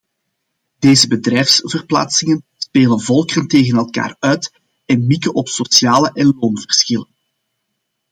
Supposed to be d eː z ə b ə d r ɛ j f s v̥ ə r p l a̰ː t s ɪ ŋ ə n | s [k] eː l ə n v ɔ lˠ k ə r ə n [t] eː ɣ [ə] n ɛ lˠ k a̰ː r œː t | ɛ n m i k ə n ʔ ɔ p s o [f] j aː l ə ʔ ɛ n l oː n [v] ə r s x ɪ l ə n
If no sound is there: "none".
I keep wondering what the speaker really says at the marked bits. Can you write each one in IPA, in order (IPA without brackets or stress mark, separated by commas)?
p, t, ə, s, v